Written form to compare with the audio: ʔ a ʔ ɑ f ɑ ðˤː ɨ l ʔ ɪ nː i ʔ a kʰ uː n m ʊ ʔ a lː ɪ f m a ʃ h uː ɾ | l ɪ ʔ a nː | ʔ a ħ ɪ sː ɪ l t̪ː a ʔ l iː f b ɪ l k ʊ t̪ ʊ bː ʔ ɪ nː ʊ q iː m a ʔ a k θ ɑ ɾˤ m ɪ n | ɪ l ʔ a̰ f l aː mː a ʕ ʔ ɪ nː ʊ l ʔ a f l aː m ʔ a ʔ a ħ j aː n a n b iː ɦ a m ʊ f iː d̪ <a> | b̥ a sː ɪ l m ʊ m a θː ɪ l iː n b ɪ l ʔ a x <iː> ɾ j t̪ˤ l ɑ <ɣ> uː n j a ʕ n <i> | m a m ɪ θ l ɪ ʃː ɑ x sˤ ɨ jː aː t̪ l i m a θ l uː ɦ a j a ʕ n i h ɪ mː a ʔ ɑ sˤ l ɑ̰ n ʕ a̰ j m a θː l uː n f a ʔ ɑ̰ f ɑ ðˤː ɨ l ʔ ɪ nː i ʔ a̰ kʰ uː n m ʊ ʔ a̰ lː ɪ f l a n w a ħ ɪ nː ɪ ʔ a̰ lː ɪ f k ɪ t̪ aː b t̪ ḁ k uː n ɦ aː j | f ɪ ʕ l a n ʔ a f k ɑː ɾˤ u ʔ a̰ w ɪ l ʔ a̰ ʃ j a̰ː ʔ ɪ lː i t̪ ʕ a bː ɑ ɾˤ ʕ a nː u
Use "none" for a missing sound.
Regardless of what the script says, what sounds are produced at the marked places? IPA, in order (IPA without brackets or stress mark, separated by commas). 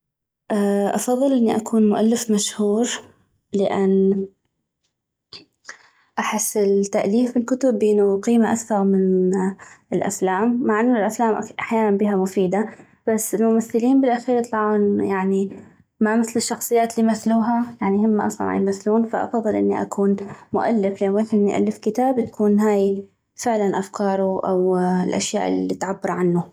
a, iː, ʕ, i